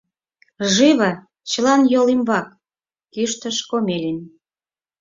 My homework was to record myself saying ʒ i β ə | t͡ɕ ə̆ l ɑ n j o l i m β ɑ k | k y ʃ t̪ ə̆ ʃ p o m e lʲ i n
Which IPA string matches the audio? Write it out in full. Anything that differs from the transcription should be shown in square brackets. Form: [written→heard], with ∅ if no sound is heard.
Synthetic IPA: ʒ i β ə | t͡ɕ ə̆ l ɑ n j o l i m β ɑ k | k y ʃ t̪ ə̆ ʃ [p→k] o m e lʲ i n